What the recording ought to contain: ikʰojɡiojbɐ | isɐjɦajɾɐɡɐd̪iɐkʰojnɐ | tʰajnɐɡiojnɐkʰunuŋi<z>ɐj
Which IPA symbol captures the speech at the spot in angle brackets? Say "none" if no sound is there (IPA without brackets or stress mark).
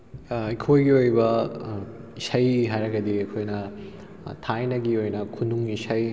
s